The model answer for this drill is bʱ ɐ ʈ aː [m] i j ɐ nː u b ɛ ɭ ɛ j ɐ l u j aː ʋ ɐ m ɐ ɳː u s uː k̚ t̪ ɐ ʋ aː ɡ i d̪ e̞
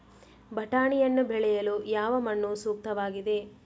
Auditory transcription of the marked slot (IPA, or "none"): ɳ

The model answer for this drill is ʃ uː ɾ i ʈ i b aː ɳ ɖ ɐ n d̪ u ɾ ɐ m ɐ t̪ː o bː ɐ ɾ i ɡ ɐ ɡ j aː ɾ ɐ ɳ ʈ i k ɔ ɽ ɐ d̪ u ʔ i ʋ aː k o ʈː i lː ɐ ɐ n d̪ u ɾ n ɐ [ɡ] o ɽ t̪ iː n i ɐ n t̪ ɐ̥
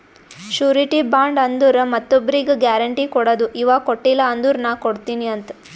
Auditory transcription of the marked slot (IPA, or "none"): k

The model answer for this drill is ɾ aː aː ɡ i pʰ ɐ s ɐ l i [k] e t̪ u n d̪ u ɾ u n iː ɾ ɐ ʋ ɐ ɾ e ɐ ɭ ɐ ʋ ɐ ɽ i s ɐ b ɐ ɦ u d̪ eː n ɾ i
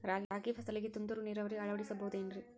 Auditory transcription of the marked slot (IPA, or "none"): ɡ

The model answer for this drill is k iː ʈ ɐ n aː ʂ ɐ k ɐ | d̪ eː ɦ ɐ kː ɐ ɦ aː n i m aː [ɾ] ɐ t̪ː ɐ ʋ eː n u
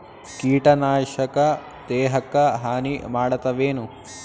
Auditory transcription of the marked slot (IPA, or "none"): ɽ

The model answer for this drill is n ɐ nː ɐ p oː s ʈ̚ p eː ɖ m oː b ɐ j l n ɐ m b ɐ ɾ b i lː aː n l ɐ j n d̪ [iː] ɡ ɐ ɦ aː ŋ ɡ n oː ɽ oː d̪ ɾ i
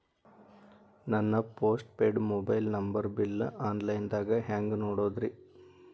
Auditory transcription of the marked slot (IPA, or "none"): aː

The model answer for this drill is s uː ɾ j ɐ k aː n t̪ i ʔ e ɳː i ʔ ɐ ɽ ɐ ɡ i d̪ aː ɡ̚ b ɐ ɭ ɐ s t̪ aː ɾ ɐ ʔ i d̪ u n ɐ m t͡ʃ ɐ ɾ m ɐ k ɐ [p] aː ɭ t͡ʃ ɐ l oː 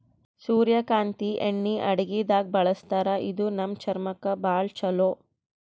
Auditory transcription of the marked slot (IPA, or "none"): b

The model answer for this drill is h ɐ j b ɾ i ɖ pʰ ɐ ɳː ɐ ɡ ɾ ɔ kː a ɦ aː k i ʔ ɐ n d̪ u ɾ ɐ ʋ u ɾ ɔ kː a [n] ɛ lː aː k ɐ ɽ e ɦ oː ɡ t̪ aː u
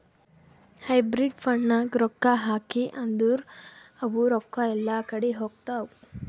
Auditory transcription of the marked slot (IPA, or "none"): none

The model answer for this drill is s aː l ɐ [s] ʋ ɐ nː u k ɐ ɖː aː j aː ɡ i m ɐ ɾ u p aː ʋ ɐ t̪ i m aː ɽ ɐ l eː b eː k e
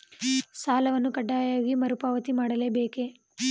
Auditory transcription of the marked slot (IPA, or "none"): none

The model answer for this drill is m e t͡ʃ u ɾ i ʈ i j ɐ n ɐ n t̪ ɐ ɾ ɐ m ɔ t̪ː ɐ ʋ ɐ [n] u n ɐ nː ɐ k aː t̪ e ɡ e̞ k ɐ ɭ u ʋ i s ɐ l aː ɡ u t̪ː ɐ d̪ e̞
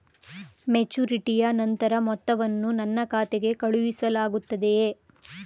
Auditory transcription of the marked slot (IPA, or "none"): nː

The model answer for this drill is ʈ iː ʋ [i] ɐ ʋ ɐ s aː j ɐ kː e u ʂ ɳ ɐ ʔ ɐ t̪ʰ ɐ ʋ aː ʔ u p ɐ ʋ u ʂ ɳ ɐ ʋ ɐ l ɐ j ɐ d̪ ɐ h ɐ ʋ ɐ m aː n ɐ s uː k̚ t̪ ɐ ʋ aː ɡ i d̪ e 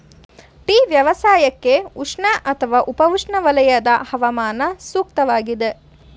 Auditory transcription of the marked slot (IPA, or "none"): j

